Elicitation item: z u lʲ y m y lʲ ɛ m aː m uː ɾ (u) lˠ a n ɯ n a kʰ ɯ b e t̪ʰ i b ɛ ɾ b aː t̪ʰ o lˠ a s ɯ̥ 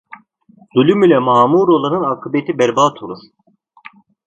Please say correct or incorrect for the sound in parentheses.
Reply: incorrect